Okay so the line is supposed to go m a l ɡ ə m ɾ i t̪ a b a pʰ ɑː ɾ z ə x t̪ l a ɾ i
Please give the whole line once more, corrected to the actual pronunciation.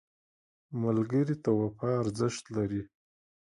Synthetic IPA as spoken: m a l ɡ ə ɾ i t̪ a w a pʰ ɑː ɾ z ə ʃ t̪ l a ɾ i